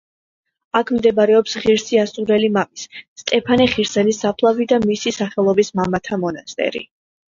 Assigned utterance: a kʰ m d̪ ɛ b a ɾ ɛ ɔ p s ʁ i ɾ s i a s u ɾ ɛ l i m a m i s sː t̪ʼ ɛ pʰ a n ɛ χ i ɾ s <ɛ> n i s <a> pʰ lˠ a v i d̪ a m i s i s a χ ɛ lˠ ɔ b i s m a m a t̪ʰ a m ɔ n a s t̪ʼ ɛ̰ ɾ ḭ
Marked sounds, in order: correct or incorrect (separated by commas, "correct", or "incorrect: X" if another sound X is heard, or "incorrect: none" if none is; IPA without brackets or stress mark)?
correct, correct